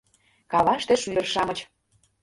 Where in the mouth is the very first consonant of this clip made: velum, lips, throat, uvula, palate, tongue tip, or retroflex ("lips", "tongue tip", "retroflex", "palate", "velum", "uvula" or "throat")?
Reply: velum